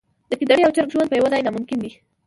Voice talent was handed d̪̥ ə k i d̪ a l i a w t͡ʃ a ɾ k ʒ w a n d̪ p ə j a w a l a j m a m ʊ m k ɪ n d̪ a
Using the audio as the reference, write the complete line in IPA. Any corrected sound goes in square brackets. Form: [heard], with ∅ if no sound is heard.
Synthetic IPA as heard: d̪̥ ə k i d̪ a [ɽ] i a w t͡ʃ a ɾ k ʒ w a n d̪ p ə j a w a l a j [n] a m ʊ m k ɪ n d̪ [i]